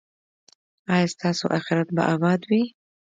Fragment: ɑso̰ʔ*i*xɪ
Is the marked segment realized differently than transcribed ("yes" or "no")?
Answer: yes